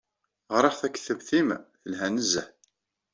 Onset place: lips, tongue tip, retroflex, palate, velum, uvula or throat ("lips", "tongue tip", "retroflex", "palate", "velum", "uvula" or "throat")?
uvula